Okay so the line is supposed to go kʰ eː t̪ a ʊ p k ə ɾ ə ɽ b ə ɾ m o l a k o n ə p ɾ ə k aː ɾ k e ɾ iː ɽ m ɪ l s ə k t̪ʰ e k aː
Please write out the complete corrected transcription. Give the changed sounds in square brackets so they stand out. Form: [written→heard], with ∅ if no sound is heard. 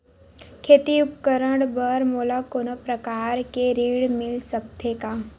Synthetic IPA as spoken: kʰ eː t̪ [a→i] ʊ p k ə ɾ ə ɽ b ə ɾ m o l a k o n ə p ɾ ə k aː ɾ k e ɾ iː ɽ m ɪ l s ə k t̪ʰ e k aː

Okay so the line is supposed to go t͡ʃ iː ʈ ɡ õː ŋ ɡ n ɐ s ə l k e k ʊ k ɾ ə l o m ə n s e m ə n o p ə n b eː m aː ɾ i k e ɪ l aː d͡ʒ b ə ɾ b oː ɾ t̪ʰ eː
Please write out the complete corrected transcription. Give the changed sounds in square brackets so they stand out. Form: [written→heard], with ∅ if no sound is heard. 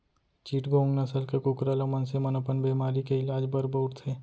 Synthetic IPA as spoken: t͡ʃ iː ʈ ɡ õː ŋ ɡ n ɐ s ə l k e k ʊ k ɾ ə l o m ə n s e m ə n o p ə n b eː m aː ɾ i k e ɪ l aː d͡ʒ b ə ɾ b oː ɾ t̪ʰ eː

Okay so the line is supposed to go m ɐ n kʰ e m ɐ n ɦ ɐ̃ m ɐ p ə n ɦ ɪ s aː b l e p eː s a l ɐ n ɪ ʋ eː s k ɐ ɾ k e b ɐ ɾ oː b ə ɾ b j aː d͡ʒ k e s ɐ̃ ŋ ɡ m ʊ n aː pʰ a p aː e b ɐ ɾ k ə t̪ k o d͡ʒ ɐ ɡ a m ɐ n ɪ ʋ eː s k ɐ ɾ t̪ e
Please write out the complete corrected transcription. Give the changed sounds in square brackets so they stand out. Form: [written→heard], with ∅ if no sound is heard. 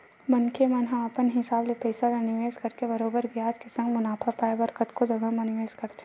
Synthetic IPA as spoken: m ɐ n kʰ e m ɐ n ɦ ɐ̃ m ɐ p ə n ɦ ɪ s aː b l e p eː s a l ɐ n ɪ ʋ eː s k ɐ ɾ k e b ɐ ɾ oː b ə ɾ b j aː d͡ʒ k e s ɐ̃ ŋ ɡ m ʊ n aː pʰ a p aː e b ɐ ɾ k ə t̪ k o d͡ʒ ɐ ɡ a m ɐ n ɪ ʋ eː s k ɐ ɾ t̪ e

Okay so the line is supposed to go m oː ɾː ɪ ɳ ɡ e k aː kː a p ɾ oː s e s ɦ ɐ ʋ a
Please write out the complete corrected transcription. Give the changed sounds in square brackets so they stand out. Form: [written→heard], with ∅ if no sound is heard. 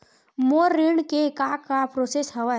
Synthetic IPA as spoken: m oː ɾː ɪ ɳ [ɡ→k] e k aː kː a p ɾ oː s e s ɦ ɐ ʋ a

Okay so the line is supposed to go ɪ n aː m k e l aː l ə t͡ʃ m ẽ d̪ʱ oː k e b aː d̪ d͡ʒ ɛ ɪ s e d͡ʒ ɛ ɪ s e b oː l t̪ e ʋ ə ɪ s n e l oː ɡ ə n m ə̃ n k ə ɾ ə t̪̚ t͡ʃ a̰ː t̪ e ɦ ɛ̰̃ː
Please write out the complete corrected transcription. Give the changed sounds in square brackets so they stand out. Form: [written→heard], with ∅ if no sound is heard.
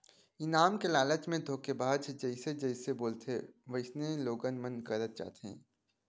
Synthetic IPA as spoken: ɪ n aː m k e l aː l ə t͡ʃ m ẽ d̪ʱ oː k e b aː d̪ d͡ʒ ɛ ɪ s e d͡ʒ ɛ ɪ s e b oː l t̪ e ʋ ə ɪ s n e l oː ɡ ə n m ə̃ n k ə ɾ ə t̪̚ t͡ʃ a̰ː t̪ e ɦ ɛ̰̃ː

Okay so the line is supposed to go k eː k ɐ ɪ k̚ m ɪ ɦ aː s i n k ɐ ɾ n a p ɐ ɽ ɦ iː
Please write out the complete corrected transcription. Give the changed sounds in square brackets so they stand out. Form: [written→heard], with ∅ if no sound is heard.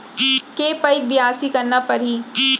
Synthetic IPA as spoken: k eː [k→p] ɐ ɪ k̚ [m→b] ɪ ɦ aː s i [n→∅] k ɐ ɾ n a p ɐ [ɽ→ɾ] ɦ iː

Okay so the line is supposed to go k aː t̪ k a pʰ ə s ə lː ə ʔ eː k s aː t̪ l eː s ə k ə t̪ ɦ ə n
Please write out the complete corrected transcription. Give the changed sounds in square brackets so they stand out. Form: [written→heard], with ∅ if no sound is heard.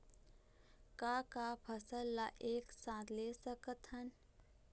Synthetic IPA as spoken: k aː [t̪→∅] k a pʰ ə s ə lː [ə→a] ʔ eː k s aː t̪ l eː s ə k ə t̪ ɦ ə n

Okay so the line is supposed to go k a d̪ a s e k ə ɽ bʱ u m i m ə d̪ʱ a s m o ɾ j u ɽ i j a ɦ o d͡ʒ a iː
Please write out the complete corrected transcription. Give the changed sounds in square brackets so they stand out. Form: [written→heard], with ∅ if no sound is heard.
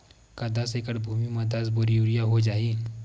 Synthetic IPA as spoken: k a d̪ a s e k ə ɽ bʱ u m i m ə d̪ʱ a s [m→b] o ɾ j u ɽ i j a ɦ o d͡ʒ a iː

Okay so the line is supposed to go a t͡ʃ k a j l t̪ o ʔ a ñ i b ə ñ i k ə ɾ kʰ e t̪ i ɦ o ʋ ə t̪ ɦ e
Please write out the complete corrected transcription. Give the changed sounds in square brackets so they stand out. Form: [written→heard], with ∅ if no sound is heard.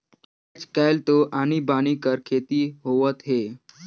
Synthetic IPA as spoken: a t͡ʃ k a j l t̪ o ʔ a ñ i b [ə→a] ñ i k ə ɾ kʰ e t̪ i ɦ o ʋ ə t̪ ɦ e

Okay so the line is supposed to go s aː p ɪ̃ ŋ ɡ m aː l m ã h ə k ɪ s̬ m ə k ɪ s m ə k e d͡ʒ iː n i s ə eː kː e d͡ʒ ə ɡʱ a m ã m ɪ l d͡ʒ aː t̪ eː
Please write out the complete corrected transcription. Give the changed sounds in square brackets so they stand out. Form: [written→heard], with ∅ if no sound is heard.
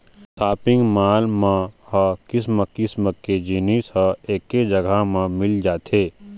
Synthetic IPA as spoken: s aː p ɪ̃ ŋ ɡ m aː l m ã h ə k ɪ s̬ m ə k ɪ s m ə k e d͡ʒ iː n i s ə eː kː e d͡ʒ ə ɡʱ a m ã m ɪ l d͡ʒ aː t̪ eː

